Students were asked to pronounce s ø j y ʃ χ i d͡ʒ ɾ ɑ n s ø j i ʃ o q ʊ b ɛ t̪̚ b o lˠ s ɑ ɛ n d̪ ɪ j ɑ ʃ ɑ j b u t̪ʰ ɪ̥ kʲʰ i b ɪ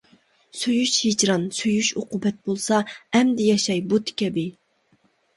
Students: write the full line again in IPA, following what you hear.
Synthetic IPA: s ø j y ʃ h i d͡ʒ ɾ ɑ n s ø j y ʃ o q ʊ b ɛ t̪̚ b o lˠ s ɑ ɛ m d̪ ɪ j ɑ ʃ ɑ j b u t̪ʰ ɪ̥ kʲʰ ɛ b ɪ